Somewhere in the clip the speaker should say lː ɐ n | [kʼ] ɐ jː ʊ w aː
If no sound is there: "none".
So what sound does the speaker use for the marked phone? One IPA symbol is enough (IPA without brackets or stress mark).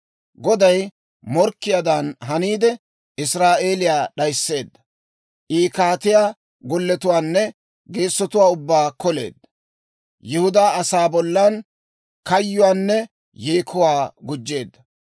k